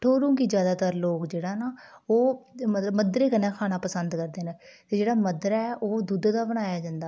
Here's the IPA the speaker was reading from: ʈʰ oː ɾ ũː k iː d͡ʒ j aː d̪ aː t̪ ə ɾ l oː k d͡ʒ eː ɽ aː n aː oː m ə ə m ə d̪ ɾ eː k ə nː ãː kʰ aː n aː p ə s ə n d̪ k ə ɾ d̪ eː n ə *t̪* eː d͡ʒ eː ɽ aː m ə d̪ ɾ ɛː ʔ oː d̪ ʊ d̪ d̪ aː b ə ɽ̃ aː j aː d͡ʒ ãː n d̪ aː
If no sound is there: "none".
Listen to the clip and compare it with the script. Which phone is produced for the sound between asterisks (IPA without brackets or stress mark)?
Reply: t̪